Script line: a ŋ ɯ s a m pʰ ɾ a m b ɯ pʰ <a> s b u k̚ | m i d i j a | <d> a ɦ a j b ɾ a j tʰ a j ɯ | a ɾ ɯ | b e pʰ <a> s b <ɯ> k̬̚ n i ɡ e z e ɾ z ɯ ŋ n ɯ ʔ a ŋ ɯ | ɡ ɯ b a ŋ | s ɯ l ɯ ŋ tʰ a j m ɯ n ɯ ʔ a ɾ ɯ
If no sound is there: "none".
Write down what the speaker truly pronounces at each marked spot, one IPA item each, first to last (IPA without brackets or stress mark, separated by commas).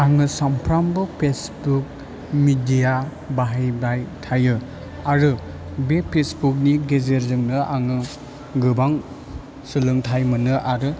e, b, e, u